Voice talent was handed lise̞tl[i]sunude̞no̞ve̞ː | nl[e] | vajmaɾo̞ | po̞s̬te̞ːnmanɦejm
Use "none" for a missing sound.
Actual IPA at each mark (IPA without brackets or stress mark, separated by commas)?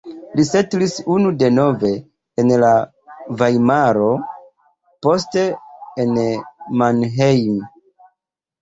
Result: i, a